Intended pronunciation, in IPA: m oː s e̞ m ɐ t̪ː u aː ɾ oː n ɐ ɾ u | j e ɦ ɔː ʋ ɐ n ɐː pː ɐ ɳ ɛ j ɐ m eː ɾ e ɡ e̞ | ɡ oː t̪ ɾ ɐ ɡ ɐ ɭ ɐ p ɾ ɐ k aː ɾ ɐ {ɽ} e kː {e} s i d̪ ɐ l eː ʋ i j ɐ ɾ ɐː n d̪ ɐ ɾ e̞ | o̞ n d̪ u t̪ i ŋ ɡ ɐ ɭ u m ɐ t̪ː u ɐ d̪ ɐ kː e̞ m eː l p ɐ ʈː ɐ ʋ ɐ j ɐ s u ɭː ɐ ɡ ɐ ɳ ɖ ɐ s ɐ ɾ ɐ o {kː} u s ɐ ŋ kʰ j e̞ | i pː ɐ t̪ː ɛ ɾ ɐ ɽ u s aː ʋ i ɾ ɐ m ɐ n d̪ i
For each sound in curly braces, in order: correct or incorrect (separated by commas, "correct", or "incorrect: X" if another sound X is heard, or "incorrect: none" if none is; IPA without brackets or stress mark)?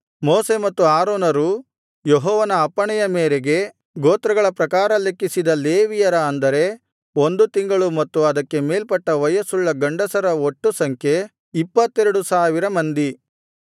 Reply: incorrect: l, incorrect: i, incorrect: ʈː